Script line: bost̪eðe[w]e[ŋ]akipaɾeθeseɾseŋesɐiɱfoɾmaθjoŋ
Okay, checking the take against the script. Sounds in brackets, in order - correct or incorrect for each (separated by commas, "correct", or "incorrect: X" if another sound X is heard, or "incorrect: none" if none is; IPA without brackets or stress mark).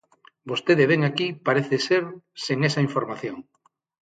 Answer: incorrect: β, correct